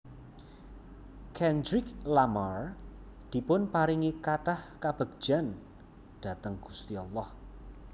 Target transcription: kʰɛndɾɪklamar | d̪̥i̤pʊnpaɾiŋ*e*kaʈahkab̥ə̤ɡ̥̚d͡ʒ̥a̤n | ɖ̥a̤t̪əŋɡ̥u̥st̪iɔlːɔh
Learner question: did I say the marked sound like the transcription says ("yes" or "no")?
no